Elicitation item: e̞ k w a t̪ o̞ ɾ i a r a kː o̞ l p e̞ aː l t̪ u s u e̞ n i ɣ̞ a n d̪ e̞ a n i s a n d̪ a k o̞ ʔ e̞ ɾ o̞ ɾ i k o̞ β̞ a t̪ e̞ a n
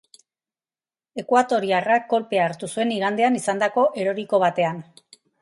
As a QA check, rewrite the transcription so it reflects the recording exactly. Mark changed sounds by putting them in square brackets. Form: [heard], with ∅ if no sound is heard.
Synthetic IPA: e̞ k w a t̪ o̞ ɾ i a r a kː o̞ l p e̞ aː [ɾ] t̪ u s u e̞ n i ɣ̞ a n d̪ e̞ a n i s a n d̪ a k o̞ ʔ e̞ ɾ o̞ ɾ i k o̞ β̞ a t̪ e̞ a n

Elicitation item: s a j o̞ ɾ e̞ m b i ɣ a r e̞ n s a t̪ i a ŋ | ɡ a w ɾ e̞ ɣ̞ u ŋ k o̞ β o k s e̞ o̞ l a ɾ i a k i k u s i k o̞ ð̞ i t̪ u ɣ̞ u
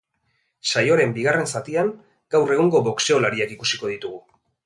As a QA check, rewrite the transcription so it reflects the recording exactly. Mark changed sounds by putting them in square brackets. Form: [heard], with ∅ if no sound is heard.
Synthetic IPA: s a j o̞ ɾ e̞ m b i ɣ a r e̞ n s a t̪ i a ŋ | ɡ a w [r] e̞ ɣ̞ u ŋ [ɡ] o̞ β o k s e̞ o̞ l a ɾ i a k i k u s i k o̞ ð̞ i t̪ u ɣ̞ u

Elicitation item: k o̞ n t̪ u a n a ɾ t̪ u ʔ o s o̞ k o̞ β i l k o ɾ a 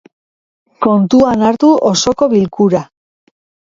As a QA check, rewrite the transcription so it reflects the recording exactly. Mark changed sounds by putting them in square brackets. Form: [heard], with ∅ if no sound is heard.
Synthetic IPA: k o̞ n t̪ u a n a ɾ t̪ u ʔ o s o̞ k o̞ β i l k [u] ɾ a

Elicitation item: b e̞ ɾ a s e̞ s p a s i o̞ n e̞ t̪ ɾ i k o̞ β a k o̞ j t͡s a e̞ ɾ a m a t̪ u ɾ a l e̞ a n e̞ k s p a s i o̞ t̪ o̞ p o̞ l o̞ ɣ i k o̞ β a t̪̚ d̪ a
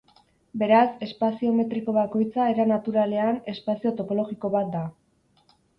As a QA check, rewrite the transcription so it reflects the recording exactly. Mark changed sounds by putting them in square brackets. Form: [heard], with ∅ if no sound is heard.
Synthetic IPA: b e̞ ɾ a s e̞ s p a s i o̞ [m] e̞ t̪ ɾ i k o̞ β a k o̞ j t͡s a e̞ ɾ a [n] a t̪ u ɾ a l e̞ a n e̞ [∅] s p a s i o̞ t̪ o̞ p o̞ l o̞ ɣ i k o̞ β a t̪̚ d̪ a

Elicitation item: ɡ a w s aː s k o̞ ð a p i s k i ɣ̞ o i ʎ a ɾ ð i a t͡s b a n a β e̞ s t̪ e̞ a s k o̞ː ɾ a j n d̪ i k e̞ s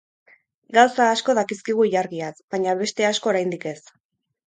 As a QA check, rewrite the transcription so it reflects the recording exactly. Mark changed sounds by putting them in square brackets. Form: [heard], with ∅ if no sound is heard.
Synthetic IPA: ɡ a w s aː s k o̞ ð a [k] i s k i ɣ̞ [u] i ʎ a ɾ [ɣ] i a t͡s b a [ɲ] a β e̞ s t̪ e̞ a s k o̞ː ɾ a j n d̪ i k e̞ s

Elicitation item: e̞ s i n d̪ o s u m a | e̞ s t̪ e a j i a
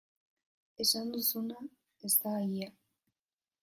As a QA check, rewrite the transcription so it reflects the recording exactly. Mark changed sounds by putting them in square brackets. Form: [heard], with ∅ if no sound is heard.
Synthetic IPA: e̞ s [a] n d̪ [u] s u [n] a | e̞ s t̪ [a] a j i a

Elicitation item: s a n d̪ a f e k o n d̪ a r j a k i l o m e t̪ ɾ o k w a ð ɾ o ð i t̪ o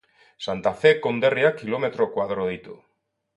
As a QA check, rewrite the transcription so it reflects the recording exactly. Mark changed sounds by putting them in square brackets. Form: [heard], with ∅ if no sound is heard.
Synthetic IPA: s a n [t̪] a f e k o n d̪ [e] r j a k i l o m e t̪ ɾ o k w a ð ɾ o ð i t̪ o

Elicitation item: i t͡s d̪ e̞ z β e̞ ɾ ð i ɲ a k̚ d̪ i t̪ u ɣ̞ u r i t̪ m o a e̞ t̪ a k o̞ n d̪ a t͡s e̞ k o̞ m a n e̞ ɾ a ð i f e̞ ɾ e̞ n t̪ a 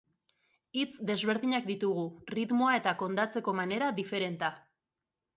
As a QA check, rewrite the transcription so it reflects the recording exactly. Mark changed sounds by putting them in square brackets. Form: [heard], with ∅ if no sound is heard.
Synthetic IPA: i t͡s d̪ e̞ z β e̞ ɾ ð i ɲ a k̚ d̪ i t̪ u ɣ̞ u r i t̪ m o a e̞ t̪ a k o̞ n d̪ a t͡s e̞ k o̞ m a n e̞ ɾ a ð i f e̞ ɾ e̞ n t̪ a

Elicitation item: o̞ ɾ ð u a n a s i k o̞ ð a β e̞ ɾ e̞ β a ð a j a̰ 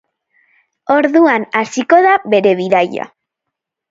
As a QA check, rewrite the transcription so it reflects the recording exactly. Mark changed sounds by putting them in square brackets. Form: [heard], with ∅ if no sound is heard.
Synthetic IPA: o̞ ɾ ð u a n a s i k o̞ ð a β e̞ ɾ e̞ β [i] ð a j a̰

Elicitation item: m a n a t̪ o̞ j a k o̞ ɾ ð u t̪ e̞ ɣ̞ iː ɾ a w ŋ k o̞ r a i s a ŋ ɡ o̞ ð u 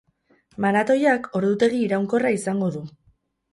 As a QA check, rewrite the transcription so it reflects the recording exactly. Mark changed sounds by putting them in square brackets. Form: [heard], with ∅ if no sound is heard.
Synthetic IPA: m a n a t̪ o̞ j a k o̞ ɾ ð u t̪ e̞ ɣ̞ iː ɾ a w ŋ k o̞ r a i s a ŋ ɡ o̞ ð u

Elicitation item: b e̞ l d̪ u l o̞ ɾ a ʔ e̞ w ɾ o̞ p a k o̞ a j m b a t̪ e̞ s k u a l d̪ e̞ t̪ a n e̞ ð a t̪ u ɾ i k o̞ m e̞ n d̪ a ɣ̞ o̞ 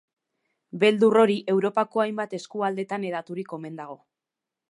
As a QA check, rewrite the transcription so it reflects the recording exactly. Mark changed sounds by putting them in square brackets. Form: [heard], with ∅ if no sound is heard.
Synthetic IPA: b e̞ l d̪ u [r] o̞ ɾ [i] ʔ e̞ w ɾ o̞ p a k o̞ a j m b a t̪ e̞ s k u a l d̪ e̞ t̪ a n e̞ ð a t̪ u ɾ i k o̞ m e̞ n d̪ a ɣ̞ o̞

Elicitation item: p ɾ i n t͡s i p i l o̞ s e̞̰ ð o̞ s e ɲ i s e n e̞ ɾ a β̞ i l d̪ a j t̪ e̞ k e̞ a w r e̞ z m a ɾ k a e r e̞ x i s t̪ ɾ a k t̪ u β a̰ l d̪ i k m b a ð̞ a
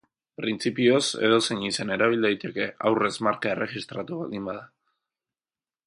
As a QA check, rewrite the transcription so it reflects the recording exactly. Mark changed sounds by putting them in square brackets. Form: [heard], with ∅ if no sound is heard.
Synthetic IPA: p ɾ i n t͡s i p i [∅] o̞ s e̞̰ ð o̞ s e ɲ i s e n e̞ ɾ a β̞ i l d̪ a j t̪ e̞ k e̞ a w r e̞ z m a ɾ k a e r e̞ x i s t̪ ɾ a [∅] t̪ u β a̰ l d̪ i [∅] m b a ð̞ a

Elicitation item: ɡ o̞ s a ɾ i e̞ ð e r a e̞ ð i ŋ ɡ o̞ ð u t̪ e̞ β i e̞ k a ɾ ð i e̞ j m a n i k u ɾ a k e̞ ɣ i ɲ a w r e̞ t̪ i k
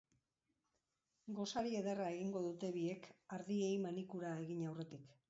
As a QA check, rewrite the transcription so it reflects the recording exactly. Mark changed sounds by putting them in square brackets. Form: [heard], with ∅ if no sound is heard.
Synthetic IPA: ɡ o̞ s a ɾ i e̞ ð e r a e̞ [ɣ] i ŋ ɡ o̞ ð u t̪ e̞ β i e̞ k a ɾ ð i e̞ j m a n i k u ɾ a [∅] e̞ ɣ i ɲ a w r e̞ t̪ i k

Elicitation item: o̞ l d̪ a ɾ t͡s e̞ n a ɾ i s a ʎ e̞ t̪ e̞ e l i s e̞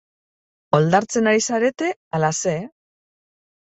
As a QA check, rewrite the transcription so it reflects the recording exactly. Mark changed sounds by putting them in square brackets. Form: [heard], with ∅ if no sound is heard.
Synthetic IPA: o̞ l d̪ a ɾ t͡s e̞ n a ɾ i s a [ɾ] e̞ t̪ e̞ [a] l [a] s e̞

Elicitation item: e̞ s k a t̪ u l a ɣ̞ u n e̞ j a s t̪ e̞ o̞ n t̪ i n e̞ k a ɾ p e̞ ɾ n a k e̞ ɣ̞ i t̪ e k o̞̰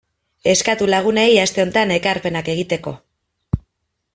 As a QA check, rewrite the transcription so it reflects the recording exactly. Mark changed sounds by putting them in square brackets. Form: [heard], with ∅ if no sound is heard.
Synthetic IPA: e̞ s k a t̪ u l a ɣ̞ u n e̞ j a s t̪ e̞ o̞ n t̪ [a] n e̞ k a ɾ p e̞ [∅] n a k e̞ ɣ̞ i t̪ e k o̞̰

